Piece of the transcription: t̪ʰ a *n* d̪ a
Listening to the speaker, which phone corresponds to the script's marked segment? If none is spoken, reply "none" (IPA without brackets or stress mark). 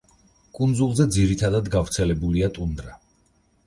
none